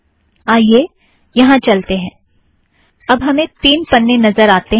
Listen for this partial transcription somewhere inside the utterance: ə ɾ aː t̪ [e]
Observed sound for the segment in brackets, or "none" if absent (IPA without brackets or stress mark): e